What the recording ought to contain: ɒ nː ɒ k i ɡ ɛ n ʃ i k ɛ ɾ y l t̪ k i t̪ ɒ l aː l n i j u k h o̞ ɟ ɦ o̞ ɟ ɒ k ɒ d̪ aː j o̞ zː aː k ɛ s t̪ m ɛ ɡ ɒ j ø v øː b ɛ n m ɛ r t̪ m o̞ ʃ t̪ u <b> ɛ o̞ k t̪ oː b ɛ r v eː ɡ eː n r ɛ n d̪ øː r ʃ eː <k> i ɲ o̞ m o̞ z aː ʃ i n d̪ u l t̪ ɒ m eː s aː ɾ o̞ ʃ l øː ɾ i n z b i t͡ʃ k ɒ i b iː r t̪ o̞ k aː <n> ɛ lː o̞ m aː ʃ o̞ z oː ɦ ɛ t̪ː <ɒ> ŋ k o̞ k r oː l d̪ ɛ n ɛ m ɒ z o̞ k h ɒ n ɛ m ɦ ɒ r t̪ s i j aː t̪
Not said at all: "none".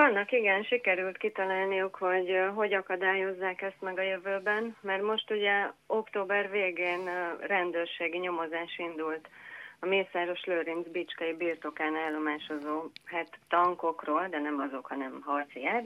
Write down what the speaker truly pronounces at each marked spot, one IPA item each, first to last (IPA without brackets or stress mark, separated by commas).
ɟ, ɡ, n, ɒ